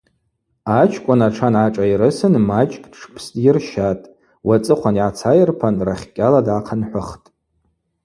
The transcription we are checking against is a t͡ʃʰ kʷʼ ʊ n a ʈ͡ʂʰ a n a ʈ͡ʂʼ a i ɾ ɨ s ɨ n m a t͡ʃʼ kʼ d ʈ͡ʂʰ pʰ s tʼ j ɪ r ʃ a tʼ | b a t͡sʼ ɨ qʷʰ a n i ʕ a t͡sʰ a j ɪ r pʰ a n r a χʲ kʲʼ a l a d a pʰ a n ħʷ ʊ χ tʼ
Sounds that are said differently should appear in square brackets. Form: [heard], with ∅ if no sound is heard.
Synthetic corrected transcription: a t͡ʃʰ kʷʼ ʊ n a ʈ͡ʂʰ a n a ʈ͡ʂʼ a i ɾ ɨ s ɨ n m a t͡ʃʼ kʼ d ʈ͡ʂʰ pʰ s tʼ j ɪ r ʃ a tʼ | [w] a t͡sʼ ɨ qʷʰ a n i ʕ a t͡sʰ a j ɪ r pʰ a n r a χʲ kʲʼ a l a d a [qʰ] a n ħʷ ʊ χ tʼ